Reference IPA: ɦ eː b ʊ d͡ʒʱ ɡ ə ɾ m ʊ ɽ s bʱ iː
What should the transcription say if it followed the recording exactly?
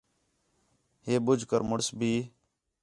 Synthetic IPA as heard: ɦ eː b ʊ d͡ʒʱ k ə ɾ m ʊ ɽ s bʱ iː